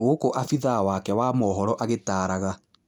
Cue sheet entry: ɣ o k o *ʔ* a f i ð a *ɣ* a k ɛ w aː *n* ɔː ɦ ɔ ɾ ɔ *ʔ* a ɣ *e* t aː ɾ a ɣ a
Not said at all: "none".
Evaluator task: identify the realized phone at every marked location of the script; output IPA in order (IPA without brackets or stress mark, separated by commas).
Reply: ʔ, w, m, ʔ, e